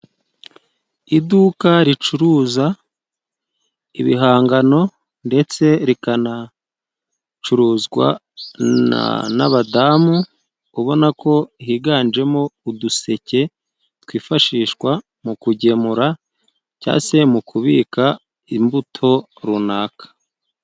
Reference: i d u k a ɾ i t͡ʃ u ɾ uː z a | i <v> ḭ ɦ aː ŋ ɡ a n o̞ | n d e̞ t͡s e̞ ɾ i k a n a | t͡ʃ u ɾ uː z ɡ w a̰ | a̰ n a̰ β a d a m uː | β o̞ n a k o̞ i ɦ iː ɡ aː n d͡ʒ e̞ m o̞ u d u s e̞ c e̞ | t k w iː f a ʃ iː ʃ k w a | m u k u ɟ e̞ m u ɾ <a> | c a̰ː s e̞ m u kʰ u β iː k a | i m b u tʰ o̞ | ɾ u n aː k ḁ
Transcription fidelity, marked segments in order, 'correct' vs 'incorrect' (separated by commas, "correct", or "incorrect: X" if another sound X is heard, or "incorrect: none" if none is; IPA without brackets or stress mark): incorrect: β, correct